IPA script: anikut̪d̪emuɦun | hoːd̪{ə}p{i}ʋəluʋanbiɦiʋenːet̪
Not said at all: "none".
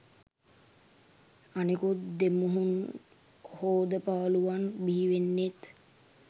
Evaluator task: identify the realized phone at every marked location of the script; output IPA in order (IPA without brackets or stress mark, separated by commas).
ə, a